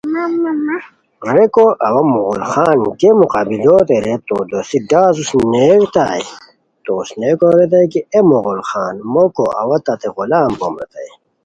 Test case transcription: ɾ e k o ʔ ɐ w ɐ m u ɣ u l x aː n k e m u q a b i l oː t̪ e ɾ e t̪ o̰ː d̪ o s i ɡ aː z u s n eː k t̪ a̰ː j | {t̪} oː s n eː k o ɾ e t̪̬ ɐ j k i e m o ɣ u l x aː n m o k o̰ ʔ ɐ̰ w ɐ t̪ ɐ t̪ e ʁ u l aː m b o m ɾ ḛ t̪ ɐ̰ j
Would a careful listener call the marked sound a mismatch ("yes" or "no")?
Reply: no